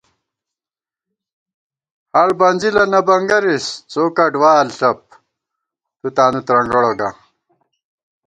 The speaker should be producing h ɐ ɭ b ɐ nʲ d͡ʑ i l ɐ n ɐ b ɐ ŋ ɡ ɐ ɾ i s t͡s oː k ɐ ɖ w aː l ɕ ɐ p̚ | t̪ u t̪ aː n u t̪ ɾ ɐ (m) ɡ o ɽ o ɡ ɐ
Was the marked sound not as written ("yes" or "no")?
yes